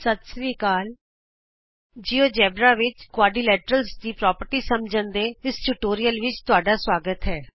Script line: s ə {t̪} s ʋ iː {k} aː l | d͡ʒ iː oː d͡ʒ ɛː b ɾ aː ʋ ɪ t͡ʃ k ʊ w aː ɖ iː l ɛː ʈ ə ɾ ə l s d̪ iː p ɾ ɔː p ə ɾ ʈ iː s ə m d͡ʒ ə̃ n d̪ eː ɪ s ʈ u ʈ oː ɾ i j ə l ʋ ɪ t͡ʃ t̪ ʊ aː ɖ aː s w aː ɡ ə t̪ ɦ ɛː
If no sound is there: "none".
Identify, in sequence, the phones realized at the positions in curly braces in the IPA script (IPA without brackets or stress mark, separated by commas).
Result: t̪, k